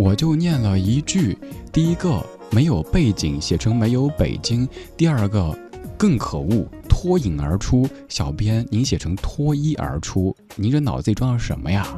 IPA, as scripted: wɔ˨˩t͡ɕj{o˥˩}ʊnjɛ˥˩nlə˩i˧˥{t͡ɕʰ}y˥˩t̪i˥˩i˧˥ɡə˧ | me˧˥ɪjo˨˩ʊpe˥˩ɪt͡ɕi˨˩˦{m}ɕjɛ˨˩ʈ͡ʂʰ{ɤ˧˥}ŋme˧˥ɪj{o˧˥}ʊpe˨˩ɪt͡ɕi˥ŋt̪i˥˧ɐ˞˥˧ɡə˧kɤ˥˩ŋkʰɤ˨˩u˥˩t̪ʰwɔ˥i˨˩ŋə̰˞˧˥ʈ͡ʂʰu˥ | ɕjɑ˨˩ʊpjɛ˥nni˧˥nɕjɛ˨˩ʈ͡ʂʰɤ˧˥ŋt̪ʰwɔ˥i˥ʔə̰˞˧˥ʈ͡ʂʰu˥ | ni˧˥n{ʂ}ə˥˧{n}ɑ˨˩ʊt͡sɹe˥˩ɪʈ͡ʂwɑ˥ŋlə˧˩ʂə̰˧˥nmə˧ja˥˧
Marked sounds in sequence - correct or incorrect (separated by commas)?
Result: incorrect, incorrect, incorrect, correct, correct, incorrect, correct